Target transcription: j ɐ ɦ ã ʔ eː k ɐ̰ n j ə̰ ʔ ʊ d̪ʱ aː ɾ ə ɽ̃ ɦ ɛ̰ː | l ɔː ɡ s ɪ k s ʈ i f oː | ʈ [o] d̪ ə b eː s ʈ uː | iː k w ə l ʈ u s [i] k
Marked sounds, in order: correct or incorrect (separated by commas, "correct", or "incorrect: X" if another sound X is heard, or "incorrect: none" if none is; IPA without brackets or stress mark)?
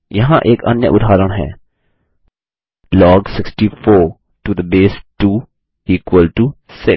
incorrect: u, incorrect: ɪ